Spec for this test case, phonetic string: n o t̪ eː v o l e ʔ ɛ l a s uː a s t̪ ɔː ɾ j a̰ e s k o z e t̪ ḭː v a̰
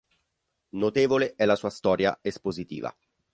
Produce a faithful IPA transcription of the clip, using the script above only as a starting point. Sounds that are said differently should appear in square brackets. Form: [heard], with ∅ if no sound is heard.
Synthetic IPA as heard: n o t̪ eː v o l e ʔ ɛ l a s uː a s t̪ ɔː ɾ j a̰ e s [p] o z [i] t̪ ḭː v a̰